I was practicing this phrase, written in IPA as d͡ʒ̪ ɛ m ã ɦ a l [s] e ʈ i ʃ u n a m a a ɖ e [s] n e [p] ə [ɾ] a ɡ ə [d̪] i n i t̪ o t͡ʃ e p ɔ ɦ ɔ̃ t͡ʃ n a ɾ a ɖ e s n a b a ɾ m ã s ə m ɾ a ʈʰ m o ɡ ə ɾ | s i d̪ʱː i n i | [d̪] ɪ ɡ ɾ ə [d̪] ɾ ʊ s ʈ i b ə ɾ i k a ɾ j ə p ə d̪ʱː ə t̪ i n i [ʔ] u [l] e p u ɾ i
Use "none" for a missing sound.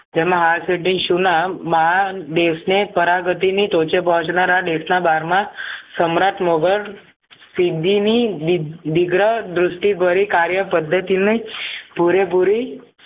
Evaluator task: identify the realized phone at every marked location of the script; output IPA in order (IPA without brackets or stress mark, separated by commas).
s, s, p, ɾ, t̪, d̪, d̪, p, ɾ